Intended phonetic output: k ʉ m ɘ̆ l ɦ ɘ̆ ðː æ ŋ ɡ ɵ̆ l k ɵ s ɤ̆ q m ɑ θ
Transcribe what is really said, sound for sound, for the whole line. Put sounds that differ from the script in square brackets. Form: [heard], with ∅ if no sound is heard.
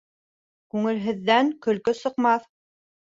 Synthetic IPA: k ʉ [ŋ] ɘ̆ l ɦ ɘ̆ ðː æ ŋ [k] ɵ̆ l k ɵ s ɤ̆ q m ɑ θ